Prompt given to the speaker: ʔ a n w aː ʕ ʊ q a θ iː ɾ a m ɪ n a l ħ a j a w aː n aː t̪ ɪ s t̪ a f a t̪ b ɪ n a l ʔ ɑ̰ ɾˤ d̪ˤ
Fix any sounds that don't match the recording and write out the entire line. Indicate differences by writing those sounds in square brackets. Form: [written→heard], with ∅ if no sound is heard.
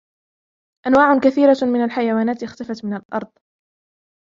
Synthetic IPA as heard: ʔ a n w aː ʕ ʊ [q→k] a θ iː ɾ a m ɪ n a l ħ a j a w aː n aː t̪ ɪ [s→x] t̪ a f a t̪ [b→m] ɪ n a l ʔ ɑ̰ ɾˤ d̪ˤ